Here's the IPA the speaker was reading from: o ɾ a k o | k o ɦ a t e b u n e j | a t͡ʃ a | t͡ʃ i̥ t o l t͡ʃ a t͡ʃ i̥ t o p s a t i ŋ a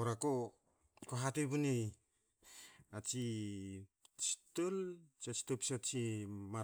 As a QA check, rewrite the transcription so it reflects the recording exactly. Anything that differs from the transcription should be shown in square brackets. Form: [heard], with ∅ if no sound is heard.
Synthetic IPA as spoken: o ɾ a k o | k o ɦ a t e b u n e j | a t͡ʃ [i] | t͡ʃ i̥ t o l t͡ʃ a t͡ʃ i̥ t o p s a [t͡ʃ] i [m] a